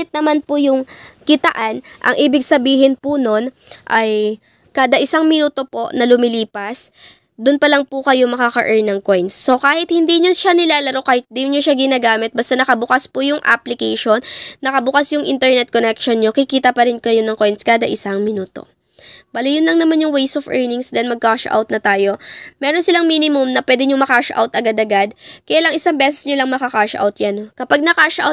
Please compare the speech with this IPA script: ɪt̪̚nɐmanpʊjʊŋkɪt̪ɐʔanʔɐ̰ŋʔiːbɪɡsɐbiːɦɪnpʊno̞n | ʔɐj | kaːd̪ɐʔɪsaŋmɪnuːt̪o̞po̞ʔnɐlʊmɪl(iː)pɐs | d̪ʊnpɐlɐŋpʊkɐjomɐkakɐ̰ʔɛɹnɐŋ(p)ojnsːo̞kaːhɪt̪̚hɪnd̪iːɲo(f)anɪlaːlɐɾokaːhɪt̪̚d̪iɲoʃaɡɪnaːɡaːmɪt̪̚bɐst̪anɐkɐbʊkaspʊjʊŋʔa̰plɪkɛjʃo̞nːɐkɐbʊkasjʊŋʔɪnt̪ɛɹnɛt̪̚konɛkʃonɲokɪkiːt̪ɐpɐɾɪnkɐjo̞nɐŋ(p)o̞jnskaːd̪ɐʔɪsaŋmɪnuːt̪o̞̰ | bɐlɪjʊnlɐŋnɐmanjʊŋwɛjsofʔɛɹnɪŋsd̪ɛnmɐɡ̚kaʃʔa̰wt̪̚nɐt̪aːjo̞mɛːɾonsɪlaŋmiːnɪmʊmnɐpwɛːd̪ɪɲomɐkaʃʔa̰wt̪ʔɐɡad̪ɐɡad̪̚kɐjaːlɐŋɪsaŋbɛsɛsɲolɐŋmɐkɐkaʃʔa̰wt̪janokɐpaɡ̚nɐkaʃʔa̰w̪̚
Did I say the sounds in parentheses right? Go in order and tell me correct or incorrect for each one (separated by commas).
correct, incorrect, incorrect, incorrect